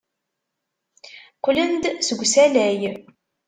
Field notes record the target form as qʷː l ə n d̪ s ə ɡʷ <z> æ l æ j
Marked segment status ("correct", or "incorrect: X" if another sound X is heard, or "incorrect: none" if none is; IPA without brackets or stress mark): incorrect: s